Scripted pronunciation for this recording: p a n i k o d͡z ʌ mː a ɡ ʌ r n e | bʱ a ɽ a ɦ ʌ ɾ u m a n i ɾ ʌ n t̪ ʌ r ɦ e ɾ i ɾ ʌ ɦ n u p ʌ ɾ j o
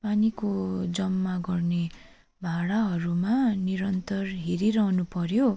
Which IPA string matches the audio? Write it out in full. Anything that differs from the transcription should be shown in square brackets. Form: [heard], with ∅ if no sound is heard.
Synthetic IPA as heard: p a n i k o d͡z ʌ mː a ɡ ʌ r n e | bʱ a ɽ a ɦ ʌ ɾ u m a n i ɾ ʌ n t̪ ʌ r ɦ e ɾ i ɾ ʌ ɦ n u p ʌ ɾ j o

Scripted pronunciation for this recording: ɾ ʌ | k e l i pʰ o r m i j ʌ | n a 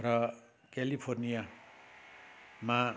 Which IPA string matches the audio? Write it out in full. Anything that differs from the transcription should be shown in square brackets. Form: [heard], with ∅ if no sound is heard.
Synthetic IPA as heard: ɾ ʌ | k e l i pʰ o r [n] i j [a] | [m] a

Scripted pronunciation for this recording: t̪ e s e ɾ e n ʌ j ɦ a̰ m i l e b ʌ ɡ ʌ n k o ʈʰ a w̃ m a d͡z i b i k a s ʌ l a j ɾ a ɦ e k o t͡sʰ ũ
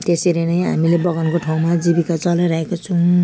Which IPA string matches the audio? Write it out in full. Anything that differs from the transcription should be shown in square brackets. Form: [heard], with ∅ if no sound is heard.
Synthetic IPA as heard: t̪ e s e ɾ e n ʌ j ɦ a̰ m i l e b ʌ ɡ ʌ n k o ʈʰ a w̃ m a d͡z i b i k a [t͡s] ʌ l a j ɾ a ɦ e k o t͡sʰ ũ

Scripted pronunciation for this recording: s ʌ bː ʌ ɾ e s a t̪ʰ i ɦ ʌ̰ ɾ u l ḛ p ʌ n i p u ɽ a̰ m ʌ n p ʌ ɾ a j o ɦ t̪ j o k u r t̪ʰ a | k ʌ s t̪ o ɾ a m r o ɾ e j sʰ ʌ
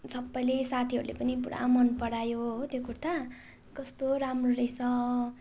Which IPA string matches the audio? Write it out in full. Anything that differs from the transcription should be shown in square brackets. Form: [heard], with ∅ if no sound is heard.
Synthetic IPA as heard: s ʌ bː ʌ [l] e s a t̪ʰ i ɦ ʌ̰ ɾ u l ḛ p ʌ n i p u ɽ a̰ m ʌ n p ʌ [ɽ] a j o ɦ t̪ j o k u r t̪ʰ a | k ʌ s t̪ o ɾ a m r o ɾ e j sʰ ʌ

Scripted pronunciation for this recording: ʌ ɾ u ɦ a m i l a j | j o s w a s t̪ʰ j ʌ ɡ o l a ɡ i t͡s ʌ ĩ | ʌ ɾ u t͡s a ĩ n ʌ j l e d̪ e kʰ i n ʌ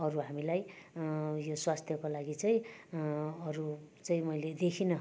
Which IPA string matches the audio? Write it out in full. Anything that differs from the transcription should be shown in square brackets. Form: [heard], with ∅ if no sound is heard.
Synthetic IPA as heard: ʌ ɾ u ɦ a m i l a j | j o s w a s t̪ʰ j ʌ [k] o l a ɡ i t͡s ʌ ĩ | ʌ ɾ u t͡s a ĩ [m] ʌ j l e d̪ e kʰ i n ʌ

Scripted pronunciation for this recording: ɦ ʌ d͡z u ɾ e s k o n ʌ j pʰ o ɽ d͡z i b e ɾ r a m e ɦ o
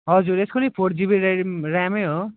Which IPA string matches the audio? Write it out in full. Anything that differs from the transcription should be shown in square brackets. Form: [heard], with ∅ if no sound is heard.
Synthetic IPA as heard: ɦ ʌ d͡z u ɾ e s k o n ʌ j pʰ o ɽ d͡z i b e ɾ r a m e ɦ o

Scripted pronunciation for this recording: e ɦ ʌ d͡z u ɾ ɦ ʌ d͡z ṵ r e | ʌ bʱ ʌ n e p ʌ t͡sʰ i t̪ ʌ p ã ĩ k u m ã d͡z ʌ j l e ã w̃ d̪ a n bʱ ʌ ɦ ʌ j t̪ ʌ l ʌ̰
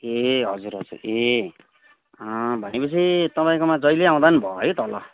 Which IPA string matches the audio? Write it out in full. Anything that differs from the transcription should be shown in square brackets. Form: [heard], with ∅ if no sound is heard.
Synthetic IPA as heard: e ɦ ʌ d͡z u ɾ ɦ ʌ d͡z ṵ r e | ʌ bʱ ʌ n e p ʌ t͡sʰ i t̪ ʌ p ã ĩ k [o] m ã d͡z ʌ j l e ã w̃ d̪ a n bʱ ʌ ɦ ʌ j t̪ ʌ l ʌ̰

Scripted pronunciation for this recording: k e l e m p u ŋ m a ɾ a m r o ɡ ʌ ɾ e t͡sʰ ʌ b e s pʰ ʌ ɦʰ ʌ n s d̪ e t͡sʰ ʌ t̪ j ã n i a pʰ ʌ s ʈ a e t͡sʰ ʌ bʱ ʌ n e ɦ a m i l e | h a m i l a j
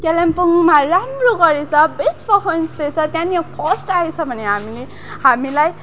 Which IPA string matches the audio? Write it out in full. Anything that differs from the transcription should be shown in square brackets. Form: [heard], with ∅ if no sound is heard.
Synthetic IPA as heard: k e l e m p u ŋ m a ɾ a m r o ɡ ʌ ɾ e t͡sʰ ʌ b e s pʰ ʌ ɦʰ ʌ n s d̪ e t͡sʰ ʌ t̪ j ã n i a pʰ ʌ s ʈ a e t͡sʰ ʌ bʱ ʌ n e ɦ a m i l e | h a m i l a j

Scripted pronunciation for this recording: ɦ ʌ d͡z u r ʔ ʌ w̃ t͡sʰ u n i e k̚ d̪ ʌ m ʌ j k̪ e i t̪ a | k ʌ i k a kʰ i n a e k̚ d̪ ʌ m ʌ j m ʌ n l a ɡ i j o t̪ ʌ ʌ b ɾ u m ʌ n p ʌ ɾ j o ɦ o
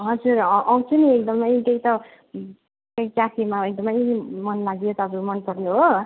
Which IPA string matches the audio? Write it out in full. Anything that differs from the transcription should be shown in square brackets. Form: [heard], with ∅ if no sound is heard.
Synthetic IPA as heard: ɦ ʌ d͡z u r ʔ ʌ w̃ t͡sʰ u n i e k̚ d̪ ʌ m ʌ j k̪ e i t̪ [ʌ] | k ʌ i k a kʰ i [m] a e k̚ d̪ ʌ m ʌ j m ʌ n l a ɡ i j o t̪ ʌ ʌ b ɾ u m ʌ n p ʌ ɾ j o ɦ o

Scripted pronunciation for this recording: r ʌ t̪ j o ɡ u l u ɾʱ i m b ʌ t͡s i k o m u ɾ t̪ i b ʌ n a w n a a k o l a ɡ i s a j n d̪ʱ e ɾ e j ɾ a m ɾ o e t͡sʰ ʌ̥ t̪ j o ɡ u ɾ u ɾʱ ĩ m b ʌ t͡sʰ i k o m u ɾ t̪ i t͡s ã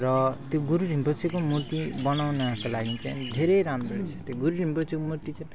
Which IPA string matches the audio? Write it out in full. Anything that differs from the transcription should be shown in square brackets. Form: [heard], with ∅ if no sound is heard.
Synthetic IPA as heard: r ʌ t̪ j o ɡ u [ɾ] u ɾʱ i m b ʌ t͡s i k o m u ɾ t̪ i b ʌ n a w n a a k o l a ɡ i [t͡s] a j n d̪ʱ e ɾ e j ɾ a m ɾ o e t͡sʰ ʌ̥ t̪ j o ɡ u ɾ u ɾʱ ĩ m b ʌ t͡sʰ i k o m u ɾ t̪ i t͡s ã

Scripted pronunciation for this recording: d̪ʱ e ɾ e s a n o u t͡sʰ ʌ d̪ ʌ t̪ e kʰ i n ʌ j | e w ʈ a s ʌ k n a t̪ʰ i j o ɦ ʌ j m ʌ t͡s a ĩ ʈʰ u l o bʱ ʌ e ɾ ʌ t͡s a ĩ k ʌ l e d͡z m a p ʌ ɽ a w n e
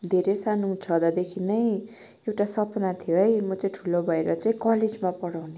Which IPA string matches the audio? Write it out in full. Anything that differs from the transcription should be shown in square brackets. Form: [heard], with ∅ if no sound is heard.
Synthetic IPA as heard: d̪ʱ e ɾ e s a n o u t͡sʰ ʌ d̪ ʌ [d̪] e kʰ i n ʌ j | e w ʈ a s ʌ [p] n a t̪ʰ i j o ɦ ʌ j m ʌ t͡s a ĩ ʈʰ u l o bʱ ʌ e ɾ ʌ t͡s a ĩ k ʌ l e d͡z m a p ʌ ɽ a w n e

